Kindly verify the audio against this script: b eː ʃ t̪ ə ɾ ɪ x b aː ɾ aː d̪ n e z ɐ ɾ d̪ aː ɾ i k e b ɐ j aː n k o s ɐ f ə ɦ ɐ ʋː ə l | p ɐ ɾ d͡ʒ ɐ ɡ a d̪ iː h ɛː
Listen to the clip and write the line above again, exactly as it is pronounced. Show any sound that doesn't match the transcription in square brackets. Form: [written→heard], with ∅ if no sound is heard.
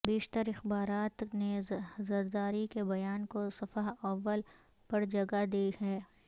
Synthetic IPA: b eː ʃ t̪ ə ɾ ɪ x b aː ɾ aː [d̪→t̪] n e z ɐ ɾ d̪ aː ɾ i k e b ɐ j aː n k o s ɐ f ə ɦ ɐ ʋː ə l | p ɐ ɾ d͡ʒ ɐ ɡ a d̪ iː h ɛː